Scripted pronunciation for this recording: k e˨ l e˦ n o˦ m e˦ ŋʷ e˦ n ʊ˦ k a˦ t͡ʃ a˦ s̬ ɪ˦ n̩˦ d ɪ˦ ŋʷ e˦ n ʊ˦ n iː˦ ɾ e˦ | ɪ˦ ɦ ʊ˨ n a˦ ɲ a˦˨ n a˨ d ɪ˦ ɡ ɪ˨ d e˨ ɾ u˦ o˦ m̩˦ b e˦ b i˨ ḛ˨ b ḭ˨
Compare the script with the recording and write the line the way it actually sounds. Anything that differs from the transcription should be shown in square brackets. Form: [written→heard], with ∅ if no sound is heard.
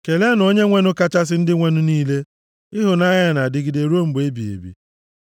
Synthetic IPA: k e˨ l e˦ n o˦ [m→ɲ] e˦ ŋʷ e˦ n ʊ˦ k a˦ t͡ʃ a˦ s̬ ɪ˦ n̩˦ d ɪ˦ ŋʷ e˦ n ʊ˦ n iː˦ [ɾ→l] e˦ | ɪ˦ ɦ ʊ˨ n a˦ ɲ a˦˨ n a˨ d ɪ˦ ɡ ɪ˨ d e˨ ɾ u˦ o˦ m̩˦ b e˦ b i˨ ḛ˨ b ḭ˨